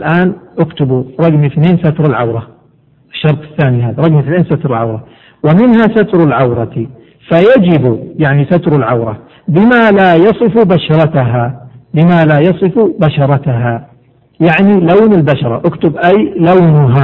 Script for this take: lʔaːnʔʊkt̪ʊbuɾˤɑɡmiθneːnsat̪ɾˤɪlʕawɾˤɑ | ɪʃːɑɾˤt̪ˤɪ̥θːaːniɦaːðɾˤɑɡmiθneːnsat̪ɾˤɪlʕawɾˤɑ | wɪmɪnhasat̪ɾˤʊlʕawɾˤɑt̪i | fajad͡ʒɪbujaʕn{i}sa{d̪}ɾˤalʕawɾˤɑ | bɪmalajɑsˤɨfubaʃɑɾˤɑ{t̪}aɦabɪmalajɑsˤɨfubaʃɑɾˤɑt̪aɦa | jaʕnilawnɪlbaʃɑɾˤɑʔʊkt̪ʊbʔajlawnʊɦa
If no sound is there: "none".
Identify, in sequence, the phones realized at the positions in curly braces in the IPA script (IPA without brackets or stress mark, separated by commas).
i, t̪, t̪